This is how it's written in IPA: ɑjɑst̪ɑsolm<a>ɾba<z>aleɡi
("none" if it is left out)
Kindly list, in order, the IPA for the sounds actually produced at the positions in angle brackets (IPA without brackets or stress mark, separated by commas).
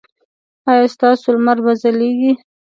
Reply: a, z